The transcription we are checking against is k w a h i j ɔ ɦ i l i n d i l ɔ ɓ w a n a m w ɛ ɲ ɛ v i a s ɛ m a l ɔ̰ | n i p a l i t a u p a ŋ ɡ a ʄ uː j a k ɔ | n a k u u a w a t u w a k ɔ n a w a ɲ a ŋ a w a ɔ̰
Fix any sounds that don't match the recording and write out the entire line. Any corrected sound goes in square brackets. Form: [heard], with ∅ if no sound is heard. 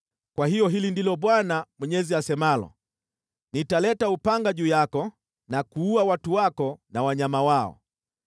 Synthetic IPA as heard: k w a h i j ɔ ɦ i l i n d i l ɔ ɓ w a n a m w ɛ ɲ ɛ [z] i a s ɛ m a l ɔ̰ | n i [t] a l [ɛ] t a u p a ŋ ɡ a ʄ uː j a k ɔ | n a k u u a w a t u w a k ɔ n a w a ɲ a [m] a w a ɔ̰